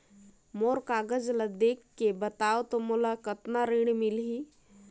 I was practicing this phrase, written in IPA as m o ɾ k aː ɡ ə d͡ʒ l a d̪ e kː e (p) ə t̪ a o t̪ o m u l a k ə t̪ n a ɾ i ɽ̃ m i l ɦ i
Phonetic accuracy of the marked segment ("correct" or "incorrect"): incorrect